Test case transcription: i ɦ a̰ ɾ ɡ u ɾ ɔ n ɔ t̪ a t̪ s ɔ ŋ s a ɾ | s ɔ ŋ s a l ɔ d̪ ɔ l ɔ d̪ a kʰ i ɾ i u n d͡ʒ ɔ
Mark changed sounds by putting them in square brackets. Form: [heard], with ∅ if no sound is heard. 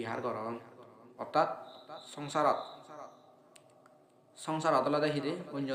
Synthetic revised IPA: i ɦ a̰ ɾ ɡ [ɔ] ɾ ɔ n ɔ t̪ a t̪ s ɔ ŋ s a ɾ | s ɔ ŋ s a [ɾ] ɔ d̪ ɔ l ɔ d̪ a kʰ i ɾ [e] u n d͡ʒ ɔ